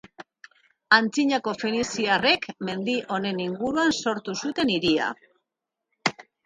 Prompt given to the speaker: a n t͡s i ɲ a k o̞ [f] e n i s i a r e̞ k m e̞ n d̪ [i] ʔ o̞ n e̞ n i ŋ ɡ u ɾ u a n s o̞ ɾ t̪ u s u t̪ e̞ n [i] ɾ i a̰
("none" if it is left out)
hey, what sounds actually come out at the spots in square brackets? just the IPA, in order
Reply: f, i, i

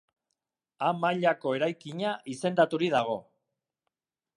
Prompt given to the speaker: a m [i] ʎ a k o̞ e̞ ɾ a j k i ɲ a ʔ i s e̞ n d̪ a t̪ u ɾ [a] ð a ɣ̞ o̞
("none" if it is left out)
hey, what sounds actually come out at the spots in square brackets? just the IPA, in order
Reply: a, i

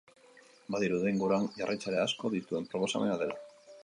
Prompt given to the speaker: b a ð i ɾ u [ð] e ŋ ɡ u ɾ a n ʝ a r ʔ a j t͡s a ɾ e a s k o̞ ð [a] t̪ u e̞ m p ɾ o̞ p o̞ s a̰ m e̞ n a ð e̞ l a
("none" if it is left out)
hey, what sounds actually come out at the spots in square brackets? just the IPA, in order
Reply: ð, i

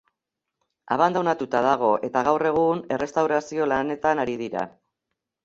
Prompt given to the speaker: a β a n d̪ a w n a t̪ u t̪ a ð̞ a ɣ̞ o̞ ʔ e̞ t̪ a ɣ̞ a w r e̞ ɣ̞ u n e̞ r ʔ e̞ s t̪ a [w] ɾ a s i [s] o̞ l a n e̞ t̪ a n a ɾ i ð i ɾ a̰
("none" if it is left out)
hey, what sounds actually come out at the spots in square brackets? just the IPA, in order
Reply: w, none

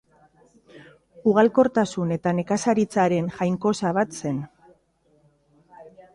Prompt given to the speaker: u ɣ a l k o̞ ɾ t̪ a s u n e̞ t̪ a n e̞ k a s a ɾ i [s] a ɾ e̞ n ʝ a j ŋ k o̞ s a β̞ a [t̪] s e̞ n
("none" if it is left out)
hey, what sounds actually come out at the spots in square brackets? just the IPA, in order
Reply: t͡s, t̪

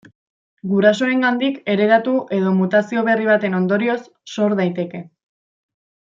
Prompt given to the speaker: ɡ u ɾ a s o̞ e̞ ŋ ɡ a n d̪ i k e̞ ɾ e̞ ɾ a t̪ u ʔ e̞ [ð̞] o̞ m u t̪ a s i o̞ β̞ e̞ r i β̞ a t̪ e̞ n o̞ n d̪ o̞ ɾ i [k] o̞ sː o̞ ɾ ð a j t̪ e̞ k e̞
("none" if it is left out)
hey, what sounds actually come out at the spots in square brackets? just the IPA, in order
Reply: ð̞, none

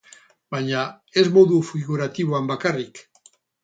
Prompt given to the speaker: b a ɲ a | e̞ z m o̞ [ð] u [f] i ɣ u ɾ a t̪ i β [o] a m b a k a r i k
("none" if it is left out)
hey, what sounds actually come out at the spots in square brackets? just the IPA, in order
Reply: ð, f, o

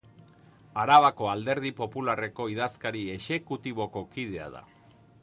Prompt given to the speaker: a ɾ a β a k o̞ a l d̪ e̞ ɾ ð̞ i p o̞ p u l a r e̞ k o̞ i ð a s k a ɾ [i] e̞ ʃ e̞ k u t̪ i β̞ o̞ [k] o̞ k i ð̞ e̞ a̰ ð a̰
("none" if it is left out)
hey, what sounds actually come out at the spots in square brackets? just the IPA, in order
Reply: i, k

